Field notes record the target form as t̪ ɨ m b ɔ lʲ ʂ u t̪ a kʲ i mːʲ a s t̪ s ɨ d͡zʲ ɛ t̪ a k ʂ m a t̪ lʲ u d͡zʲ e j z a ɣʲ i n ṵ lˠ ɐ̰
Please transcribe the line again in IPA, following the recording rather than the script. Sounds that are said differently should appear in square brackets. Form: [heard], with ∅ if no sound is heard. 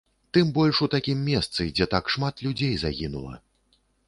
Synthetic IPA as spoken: t̪ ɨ m b ɔ lʲ ʂ u t̪ a kʲ i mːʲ [ɛ] s t̪ s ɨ d͡zʲ ɛ t̪ a k ʂ m a t̪ lʲ u d͡zʲ e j z a ɣʲ i n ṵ lˠ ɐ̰